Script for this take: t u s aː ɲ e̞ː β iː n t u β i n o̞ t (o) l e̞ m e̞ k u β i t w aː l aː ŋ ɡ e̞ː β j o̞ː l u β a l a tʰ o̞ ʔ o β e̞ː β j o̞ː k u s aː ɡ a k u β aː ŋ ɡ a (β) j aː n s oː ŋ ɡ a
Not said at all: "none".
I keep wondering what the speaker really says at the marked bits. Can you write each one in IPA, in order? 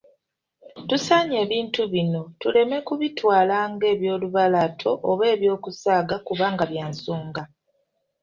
u, β

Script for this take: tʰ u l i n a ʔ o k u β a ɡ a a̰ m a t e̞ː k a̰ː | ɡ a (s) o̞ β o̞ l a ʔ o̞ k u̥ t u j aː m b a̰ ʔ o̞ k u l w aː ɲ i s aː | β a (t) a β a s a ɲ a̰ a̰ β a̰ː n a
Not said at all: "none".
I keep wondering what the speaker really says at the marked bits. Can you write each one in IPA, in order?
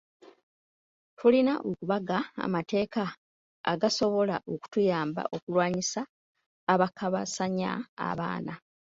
s, k

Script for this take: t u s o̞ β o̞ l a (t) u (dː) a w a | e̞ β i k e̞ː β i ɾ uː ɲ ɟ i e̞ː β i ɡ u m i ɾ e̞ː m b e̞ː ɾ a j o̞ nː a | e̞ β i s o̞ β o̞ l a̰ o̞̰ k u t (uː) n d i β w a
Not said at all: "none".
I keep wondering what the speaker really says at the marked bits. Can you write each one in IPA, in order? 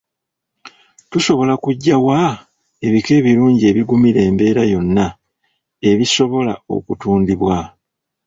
k, ɟː, uː

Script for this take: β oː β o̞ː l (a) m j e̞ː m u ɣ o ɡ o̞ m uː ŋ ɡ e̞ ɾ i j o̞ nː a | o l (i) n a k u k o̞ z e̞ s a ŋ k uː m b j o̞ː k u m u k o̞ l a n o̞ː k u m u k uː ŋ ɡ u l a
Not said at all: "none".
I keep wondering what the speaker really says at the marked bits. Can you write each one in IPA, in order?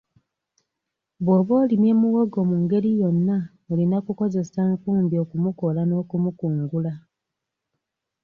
i, i

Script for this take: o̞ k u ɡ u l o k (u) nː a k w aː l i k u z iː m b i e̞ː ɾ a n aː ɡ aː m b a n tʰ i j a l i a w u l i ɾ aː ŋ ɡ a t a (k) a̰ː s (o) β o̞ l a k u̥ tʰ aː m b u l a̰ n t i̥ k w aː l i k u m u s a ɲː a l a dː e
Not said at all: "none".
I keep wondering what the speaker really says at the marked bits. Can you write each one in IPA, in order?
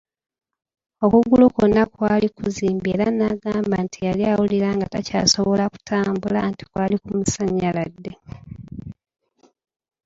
o, c, o

